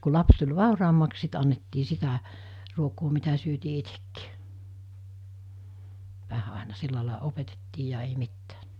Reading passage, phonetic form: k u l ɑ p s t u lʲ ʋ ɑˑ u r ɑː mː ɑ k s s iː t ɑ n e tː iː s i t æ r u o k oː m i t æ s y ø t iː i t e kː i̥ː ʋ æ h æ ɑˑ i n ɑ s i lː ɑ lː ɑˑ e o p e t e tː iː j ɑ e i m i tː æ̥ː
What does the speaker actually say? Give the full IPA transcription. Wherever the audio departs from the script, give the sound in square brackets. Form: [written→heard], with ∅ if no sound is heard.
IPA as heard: k u l ɑ p s t u lʲ ʋ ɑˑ u r ɑː mː ɑ k s s [iː→i] t ɑ [n→nː] e tː iː s i t æ r u o k oː m i t æ s y ø t iː i t e kː i̥ː ʋ æ h æ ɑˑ [i→e] n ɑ s i lː ɑ [lː→l] ɑˑ e o p e t e tː iː j ɑ e i m i tː æ̥ː